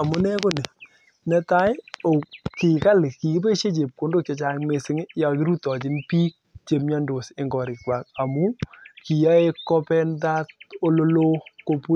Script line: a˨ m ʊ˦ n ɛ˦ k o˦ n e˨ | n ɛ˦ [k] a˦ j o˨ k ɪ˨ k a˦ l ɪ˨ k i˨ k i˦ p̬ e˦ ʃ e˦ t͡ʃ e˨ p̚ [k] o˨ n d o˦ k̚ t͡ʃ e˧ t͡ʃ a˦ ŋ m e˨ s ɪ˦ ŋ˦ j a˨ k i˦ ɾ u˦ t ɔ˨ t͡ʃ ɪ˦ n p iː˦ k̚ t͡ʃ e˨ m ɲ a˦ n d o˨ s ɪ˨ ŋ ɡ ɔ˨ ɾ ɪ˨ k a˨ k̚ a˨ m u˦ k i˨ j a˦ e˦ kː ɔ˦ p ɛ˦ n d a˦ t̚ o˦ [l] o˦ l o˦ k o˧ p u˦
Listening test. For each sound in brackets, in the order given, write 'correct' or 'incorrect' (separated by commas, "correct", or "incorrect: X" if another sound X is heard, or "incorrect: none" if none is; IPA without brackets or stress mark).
incorrect: t, correct, correct